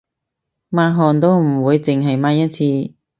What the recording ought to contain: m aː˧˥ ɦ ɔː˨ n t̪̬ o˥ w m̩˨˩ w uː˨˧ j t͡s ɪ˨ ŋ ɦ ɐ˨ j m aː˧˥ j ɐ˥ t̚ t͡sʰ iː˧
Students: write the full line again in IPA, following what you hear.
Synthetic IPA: m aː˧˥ ɦ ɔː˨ n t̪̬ o˥ w m̩˨˩ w uː˨˧ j t͡s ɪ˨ ŋ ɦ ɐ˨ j m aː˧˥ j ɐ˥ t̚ t͡sʰ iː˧